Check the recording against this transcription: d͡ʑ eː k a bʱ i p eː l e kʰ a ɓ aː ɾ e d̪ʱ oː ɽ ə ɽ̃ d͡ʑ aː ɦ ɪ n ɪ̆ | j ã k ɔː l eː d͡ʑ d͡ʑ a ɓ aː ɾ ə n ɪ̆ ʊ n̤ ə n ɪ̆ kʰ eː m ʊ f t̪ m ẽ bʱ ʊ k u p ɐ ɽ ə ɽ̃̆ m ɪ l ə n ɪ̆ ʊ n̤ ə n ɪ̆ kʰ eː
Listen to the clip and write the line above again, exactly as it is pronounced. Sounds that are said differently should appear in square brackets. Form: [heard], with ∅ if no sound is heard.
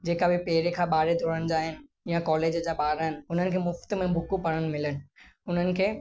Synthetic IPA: d͡ʑ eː k a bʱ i p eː [ɾ] e kʰ a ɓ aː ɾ e d̪ʱ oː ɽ ə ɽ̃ d͡ʑ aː ɦ ɪ n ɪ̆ | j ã k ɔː l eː d͡ʑ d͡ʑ a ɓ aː ɾ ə n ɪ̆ ʊ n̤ ə n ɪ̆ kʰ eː m ʊ f t̪ m ẽ bʱ ʊ k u p ɐ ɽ ə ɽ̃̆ m ɪ l ə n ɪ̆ ʊ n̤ ə n ɪ̆ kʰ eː